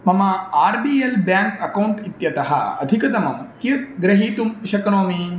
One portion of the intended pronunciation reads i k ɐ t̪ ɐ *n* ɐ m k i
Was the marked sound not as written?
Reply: yes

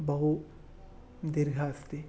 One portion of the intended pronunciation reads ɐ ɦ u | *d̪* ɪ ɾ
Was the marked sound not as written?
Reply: no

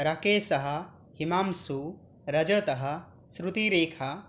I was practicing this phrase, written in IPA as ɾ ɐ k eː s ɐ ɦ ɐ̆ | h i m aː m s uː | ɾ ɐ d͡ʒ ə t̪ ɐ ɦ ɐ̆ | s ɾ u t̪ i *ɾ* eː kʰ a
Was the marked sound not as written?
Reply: no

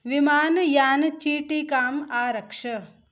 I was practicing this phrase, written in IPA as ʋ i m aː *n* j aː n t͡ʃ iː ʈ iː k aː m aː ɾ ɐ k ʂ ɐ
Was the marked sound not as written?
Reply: no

